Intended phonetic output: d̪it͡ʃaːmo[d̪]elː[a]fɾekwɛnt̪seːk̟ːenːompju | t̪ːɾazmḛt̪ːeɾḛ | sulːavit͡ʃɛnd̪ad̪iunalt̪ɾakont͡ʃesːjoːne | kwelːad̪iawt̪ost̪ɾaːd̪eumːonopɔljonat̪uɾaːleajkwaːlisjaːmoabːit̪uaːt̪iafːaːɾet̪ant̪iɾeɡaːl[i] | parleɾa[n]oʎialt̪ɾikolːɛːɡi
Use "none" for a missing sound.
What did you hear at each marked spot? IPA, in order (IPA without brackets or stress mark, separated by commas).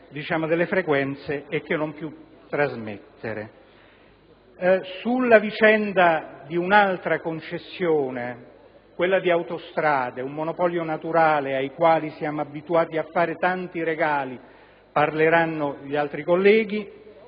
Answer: d̪, e, i, nː